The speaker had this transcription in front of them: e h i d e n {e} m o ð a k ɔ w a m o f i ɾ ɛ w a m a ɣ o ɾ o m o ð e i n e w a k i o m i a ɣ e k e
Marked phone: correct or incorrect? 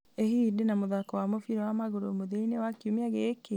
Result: incorrect